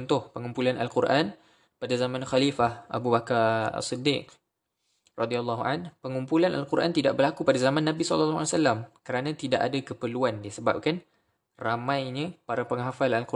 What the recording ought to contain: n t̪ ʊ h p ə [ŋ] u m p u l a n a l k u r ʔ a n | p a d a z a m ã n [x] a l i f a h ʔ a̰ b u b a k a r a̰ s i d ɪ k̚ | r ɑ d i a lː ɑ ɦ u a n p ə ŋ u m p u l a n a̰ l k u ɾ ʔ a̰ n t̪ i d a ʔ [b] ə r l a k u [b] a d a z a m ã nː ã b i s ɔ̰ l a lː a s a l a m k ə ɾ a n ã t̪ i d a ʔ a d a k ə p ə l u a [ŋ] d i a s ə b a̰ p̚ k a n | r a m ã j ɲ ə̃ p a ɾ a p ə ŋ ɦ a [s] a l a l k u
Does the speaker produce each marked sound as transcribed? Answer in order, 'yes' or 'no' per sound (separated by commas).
yes, yes, yes, no, no, no